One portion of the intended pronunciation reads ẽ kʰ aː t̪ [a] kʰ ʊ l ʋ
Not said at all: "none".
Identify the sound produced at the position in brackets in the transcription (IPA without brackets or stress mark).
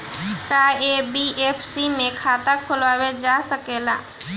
a